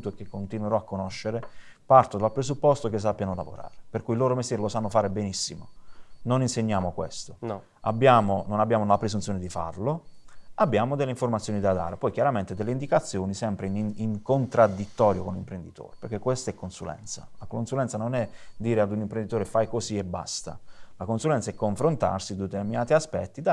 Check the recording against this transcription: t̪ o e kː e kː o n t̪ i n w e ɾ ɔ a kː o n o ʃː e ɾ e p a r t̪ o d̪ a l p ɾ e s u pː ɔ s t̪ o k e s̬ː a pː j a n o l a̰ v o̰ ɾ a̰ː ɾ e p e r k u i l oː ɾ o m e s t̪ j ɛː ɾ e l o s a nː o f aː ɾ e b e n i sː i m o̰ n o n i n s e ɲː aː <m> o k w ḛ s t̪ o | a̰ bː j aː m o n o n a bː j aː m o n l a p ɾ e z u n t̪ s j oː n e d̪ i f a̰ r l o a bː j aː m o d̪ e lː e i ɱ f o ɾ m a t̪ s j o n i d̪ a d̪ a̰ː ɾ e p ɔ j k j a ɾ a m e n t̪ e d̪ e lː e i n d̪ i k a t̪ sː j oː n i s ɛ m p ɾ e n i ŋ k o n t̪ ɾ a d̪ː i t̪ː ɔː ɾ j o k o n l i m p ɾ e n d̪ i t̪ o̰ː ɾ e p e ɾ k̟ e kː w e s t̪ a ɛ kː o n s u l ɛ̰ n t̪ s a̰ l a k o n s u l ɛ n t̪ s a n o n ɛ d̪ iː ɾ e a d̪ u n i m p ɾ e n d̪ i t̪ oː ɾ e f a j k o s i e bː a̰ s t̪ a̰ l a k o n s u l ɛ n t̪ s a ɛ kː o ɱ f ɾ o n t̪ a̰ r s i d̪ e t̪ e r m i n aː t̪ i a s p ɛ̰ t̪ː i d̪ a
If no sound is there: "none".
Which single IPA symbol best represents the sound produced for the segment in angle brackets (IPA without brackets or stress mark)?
m